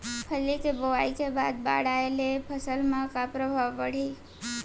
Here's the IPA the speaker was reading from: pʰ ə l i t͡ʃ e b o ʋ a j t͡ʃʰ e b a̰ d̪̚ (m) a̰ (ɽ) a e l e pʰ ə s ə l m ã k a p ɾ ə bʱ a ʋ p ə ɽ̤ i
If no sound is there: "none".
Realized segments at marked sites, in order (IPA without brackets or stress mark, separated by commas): b, ɽ